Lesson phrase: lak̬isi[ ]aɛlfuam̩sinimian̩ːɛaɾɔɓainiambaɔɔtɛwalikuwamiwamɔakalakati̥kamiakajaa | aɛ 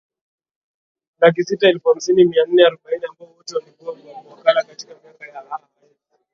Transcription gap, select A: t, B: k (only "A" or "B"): A